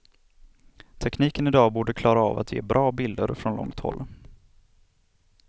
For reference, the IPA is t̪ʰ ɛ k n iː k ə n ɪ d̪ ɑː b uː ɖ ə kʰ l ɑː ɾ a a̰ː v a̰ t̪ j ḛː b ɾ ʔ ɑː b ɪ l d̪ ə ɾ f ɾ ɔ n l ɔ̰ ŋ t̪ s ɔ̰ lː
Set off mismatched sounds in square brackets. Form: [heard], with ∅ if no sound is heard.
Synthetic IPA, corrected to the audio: t̪ʰ ɛ k n iː k ə n ɪ d̪ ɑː b uː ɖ ə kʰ l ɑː ɾ a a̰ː v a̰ t̪ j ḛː b ɾ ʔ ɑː b ɪ l d̪ ə ɾ f ɾ ɔ n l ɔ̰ ŋ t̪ [h] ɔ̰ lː